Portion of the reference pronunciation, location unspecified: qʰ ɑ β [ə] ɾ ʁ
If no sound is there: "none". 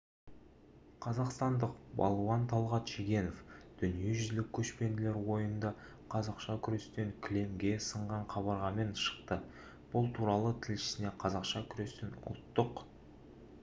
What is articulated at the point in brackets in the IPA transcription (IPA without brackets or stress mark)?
ɑ